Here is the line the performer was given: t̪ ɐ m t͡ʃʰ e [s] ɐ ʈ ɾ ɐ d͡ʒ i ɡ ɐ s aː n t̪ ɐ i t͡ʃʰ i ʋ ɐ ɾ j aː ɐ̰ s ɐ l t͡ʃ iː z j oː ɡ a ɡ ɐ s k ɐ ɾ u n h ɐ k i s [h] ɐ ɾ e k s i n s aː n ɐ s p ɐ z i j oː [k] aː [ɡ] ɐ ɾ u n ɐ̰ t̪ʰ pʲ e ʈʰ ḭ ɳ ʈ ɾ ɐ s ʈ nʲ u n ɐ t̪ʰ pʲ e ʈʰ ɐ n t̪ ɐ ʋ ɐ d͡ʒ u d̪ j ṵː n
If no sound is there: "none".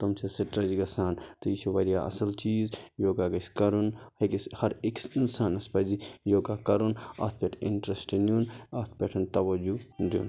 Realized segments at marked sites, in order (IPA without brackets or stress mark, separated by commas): s, h, ɡ, k